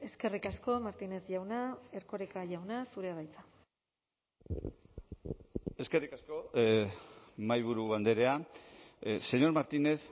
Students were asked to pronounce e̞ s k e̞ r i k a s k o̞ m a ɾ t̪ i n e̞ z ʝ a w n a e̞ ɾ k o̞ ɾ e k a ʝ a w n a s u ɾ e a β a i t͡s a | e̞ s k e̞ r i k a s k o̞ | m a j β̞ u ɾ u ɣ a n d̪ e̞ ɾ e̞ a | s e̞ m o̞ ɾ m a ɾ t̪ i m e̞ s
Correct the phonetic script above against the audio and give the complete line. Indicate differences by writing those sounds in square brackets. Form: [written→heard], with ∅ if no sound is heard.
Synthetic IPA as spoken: e̞ s k e̞ r i k a s k o̞ m a ɾ t̪ i n e̞ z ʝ a w n a e̞ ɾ k o̞ ɾ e k a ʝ a w n a s u ɾ e a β a [i→j] t͡s a | e̞ s k e̞ r i k a s k o̞ | m a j β̞ u ɾ u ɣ a n d̪ e̞ ɾ e̞ a | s e̞ [m→ɲ] o̞ ɾ m a ɾ t̪ i [m→n] e̞ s